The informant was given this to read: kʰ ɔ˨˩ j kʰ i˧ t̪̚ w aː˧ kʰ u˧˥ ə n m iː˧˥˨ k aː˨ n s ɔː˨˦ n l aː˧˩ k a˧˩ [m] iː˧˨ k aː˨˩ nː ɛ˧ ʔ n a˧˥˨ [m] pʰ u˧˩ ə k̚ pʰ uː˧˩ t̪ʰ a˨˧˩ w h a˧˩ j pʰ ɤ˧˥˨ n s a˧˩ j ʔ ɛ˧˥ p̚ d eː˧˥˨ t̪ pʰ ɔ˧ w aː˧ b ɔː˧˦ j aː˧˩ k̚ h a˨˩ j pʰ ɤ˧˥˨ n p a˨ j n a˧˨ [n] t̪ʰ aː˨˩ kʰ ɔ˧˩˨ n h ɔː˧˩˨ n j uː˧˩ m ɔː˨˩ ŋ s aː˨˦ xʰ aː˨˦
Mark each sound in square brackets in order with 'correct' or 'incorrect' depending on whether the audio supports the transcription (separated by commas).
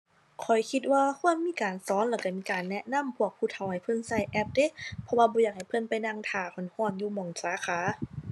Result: correct, correct, incorrect